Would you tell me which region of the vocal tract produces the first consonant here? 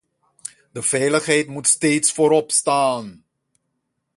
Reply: tongue tip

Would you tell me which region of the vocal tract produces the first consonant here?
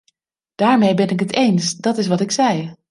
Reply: tongue tip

